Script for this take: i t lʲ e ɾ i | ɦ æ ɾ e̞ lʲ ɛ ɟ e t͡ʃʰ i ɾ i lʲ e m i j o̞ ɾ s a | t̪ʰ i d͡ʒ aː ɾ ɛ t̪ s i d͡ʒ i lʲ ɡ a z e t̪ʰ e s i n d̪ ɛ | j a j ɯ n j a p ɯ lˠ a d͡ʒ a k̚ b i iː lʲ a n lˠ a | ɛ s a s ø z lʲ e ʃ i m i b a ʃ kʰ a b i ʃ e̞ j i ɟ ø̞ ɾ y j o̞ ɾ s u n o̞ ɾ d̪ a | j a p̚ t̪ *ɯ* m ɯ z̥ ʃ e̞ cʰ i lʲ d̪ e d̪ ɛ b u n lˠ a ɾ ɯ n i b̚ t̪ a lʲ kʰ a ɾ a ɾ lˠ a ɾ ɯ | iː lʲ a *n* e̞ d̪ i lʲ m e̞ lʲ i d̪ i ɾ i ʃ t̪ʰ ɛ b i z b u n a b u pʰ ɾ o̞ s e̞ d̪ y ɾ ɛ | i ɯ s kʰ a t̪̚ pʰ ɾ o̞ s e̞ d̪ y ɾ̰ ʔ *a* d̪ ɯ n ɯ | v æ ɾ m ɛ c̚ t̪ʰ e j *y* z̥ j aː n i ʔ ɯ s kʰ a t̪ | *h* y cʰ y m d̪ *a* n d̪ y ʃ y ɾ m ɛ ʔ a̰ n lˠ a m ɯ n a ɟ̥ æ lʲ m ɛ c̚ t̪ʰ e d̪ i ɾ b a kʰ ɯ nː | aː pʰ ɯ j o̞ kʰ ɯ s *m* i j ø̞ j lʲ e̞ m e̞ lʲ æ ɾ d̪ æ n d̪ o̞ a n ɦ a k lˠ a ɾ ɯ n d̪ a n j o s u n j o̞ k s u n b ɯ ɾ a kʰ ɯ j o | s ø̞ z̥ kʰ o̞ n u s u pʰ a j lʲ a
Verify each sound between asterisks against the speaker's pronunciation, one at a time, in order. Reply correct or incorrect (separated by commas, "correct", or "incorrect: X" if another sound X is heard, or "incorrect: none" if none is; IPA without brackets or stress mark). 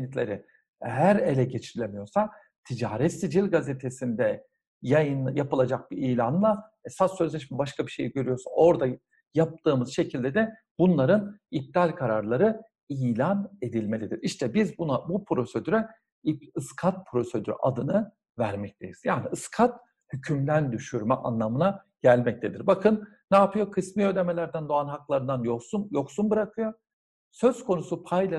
incorrect: ɯː, correct, correct, incorrect: i, correct, incorrect: æ, correct